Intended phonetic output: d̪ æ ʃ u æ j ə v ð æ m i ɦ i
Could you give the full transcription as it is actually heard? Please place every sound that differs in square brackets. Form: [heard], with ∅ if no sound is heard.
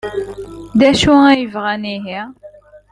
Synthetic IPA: d̪ æ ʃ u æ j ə v [ʁ] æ [n] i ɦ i